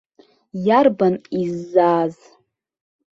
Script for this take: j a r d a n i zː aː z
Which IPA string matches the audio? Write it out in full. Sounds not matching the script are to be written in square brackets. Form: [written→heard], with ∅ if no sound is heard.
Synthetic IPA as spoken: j a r [d→b] a n i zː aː z